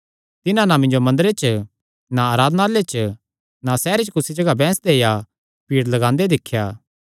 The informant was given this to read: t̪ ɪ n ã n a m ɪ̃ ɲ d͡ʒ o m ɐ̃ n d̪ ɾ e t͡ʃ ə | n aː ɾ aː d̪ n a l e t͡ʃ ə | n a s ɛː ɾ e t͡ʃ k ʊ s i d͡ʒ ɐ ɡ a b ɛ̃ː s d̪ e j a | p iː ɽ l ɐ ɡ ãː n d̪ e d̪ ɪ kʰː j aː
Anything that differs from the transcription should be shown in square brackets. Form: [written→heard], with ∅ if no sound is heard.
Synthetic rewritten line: t̪ ɪ n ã n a m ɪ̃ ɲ d͡ʒ o m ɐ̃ n d̪ ɾ e t͡ʃ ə | n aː ɾ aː d̪ n a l e t͡ʃ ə | n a s ɛː ɾ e t͡ʃ k ʊ s i d͡ʒ ɐ ɡ a b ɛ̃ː s d̪ e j a | p iː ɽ l ɐ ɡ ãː n d̪ e d̪ ɪ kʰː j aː